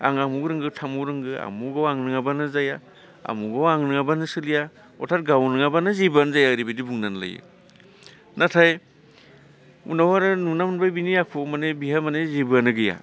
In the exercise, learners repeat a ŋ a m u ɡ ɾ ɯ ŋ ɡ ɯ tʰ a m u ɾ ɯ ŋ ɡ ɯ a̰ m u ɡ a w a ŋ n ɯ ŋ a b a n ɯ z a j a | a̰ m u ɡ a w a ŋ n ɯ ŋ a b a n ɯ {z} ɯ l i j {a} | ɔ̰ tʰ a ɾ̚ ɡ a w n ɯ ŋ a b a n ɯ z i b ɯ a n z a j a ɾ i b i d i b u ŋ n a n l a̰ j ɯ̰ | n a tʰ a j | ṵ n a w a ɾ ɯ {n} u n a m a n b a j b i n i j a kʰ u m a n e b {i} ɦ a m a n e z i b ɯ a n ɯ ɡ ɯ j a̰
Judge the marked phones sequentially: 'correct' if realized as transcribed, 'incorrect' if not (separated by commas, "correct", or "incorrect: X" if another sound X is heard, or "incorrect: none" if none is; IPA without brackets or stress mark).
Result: incorrect: s, correct, correct, correct